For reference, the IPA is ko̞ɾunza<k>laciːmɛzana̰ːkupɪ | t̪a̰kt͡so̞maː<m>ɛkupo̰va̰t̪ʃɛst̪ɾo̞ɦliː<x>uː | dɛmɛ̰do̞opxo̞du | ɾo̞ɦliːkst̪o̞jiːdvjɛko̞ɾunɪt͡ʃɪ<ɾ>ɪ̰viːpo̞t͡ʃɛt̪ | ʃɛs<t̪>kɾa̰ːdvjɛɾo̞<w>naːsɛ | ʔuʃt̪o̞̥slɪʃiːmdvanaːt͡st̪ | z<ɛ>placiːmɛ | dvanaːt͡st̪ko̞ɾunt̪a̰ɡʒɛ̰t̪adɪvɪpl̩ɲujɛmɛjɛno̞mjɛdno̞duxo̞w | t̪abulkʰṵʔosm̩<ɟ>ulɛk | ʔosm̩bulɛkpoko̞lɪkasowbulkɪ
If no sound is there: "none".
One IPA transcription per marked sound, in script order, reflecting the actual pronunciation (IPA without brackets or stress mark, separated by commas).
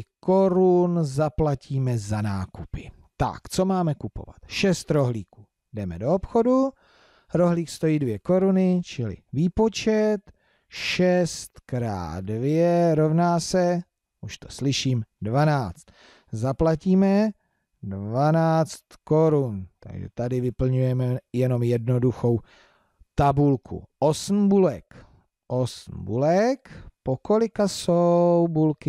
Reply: p, m, k, l, t̪, v, a, b